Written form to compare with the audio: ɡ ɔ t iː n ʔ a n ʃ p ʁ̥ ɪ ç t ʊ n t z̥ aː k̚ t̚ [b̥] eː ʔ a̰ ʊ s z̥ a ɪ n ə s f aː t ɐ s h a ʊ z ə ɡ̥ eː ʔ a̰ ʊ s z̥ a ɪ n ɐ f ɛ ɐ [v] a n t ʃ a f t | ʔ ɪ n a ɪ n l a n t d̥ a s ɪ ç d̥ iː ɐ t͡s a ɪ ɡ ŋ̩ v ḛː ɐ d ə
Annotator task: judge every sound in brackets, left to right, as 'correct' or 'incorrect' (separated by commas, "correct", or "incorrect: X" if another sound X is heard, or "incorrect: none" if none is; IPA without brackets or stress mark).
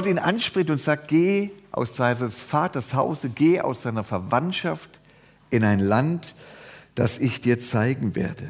incorrect: ɡ̥, correct